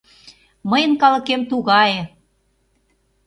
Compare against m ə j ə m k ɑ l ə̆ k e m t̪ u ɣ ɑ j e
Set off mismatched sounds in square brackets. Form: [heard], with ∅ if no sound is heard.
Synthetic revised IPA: m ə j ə [n] k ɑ l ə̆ k e m t̪ u ɣ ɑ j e